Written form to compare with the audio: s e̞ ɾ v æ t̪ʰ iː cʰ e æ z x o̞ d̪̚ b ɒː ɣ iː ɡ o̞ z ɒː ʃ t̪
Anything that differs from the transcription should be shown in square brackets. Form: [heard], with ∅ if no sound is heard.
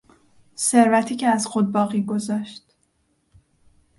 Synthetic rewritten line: s e̞ ɾ v æ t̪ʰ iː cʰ e æ z x o̞ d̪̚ b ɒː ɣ iː ɡ o̞ z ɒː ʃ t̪